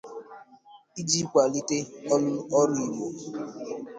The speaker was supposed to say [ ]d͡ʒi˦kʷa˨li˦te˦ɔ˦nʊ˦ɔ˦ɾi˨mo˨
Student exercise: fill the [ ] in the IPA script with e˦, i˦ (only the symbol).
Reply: i˦